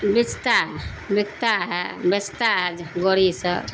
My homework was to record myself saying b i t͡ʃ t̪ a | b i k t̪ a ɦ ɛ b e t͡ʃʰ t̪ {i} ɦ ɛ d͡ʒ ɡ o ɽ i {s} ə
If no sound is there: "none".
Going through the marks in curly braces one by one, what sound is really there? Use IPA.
a, s

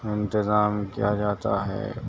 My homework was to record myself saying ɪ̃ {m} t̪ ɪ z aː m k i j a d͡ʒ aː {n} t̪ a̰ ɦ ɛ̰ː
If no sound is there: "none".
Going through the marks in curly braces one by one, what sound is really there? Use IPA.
n, none

